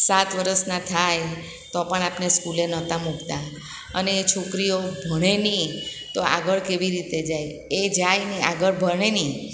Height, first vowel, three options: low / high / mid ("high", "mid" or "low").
low